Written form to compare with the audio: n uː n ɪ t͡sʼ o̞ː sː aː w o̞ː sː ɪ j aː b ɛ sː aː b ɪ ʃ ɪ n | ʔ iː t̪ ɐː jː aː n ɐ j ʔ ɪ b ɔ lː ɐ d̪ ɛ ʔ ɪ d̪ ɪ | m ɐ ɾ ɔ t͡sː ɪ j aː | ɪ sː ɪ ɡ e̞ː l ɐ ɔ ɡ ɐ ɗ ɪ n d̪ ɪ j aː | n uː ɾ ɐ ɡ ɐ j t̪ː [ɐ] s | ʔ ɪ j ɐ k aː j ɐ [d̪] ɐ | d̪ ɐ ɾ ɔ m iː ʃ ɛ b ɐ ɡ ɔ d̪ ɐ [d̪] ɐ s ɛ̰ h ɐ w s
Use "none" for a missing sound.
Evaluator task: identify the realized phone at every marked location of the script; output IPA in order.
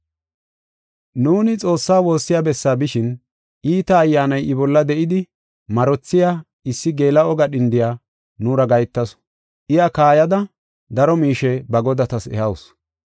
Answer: ɐ, d̪, t̪

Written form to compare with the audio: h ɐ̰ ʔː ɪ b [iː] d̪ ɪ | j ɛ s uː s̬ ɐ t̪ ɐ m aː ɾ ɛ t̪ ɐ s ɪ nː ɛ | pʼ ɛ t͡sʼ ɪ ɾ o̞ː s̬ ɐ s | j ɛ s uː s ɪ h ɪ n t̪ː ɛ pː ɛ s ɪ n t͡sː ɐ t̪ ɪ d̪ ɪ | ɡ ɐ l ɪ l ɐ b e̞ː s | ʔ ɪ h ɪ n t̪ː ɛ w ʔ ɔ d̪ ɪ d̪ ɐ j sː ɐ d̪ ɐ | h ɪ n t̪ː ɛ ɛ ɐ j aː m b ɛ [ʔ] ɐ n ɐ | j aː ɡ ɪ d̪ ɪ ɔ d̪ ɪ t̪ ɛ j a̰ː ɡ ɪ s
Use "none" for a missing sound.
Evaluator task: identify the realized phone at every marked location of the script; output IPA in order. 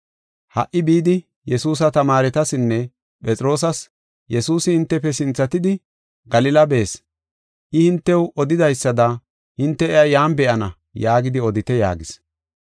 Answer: iː, ʔ

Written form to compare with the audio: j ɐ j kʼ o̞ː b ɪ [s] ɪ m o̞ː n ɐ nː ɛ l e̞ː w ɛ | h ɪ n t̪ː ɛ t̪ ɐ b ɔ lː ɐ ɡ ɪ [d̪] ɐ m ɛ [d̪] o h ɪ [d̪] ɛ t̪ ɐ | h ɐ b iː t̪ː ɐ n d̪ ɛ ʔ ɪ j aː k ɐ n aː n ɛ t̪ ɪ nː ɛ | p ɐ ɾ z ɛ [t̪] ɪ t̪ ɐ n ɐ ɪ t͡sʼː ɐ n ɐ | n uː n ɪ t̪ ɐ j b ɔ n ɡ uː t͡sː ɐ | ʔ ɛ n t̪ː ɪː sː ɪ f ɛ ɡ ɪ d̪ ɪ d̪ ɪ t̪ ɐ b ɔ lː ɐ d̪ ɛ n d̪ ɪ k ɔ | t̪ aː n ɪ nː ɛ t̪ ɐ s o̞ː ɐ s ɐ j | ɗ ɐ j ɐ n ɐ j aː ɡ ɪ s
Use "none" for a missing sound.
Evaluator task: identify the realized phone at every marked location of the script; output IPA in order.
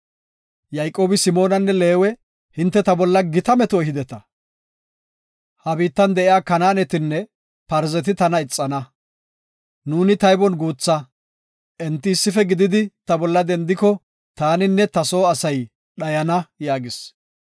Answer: s, t̪, t̪, d̪, t̪

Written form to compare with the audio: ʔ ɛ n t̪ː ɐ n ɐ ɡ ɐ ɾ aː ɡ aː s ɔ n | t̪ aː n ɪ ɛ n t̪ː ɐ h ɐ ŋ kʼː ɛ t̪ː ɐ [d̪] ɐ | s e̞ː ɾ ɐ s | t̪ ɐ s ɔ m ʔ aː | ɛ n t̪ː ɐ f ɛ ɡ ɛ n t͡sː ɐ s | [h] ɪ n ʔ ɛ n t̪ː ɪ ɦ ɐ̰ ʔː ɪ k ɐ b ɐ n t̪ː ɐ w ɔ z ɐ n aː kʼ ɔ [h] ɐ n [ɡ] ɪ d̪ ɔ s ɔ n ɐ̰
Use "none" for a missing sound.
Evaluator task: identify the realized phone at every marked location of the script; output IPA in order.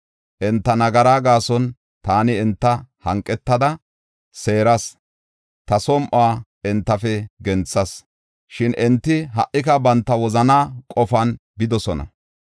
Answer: d̪, ʃ, f, b

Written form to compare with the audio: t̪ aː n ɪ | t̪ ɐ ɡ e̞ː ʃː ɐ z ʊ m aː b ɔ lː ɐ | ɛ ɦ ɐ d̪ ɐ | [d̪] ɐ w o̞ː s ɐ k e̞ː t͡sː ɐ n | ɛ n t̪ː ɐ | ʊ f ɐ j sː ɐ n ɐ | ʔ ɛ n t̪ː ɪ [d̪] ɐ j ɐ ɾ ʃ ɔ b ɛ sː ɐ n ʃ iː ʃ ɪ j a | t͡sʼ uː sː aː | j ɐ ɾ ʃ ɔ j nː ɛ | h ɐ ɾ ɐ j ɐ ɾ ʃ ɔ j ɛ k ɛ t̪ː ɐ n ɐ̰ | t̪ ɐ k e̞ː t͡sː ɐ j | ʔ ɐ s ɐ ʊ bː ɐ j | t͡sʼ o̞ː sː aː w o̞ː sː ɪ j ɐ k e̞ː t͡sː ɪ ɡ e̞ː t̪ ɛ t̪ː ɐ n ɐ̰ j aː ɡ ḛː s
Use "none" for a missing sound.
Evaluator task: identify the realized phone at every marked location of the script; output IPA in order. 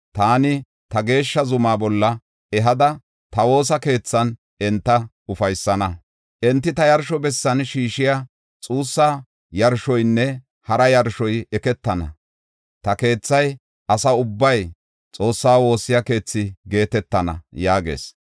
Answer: t̪, t̪

